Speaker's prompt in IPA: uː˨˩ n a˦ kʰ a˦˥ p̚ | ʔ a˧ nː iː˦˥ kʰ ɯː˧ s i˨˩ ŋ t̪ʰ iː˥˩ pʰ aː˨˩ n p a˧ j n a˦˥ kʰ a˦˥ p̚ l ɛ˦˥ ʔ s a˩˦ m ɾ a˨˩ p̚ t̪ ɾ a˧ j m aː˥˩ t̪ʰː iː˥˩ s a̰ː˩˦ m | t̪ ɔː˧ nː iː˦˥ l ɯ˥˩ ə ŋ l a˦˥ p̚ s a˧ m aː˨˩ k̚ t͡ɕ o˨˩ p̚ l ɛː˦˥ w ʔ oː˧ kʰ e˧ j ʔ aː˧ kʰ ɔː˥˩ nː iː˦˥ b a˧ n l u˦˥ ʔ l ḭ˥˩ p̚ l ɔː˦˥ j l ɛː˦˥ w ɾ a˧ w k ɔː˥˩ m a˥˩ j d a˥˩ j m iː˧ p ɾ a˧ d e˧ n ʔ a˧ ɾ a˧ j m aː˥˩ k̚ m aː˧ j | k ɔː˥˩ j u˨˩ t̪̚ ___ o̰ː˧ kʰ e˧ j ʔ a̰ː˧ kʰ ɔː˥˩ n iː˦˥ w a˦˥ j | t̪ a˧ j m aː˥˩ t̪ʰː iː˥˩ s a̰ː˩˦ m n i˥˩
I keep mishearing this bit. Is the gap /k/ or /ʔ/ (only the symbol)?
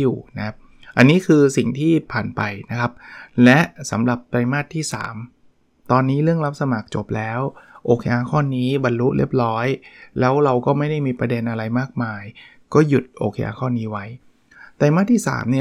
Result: ʔ